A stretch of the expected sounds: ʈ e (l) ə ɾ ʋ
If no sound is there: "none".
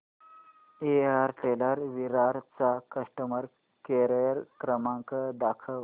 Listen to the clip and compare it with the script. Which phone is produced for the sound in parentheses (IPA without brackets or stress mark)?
l